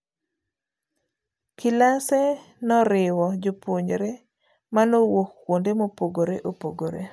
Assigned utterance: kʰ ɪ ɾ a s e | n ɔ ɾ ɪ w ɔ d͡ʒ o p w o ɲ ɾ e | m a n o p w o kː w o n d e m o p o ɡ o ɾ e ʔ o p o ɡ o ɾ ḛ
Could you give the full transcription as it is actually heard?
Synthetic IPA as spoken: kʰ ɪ l a s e | n ɔ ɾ ɪ w ɔ d͡ʒ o p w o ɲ ɾ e | m a n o w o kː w o n d e m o p o ɡ o ɾ e ʔ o p o ɡ o ɾ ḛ